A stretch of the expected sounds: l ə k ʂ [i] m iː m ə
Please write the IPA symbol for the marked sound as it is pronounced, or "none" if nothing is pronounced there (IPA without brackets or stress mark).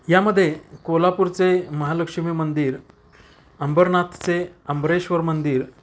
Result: i